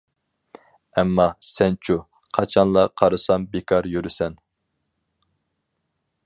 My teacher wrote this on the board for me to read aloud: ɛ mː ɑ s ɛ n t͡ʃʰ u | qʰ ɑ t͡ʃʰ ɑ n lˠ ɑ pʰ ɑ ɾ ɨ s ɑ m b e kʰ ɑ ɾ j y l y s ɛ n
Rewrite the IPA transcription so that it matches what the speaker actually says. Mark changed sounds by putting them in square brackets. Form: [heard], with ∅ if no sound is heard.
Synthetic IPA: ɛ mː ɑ s ɛ n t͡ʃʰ u | qʰ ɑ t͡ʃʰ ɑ n lˠ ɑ [qʰ] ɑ ɾ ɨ s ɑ m b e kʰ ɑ ɾ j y [ɾ] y s ɛ n